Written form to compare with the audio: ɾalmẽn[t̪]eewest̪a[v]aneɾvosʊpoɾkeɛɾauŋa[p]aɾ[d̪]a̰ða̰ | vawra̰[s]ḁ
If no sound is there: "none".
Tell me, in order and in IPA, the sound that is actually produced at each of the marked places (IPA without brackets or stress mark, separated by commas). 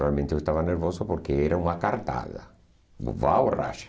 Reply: t̪, v, k, t̪, ʃ